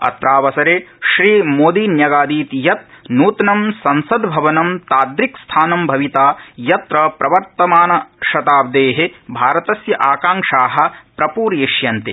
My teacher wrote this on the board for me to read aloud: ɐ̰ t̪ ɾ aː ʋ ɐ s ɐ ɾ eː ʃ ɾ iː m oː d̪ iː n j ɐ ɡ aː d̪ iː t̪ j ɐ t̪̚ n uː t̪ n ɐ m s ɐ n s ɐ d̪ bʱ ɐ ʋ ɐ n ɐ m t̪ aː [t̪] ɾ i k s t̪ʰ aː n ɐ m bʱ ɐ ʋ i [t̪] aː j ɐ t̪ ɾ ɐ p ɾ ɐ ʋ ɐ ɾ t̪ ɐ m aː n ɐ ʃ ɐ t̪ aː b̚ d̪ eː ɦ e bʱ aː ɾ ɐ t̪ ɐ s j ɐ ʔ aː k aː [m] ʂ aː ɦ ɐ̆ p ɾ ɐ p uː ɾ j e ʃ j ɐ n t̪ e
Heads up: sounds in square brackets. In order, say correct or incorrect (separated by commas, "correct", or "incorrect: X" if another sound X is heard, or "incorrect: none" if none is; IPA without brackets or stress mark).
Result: incorrect: d̪, correct, incorrect: ŋ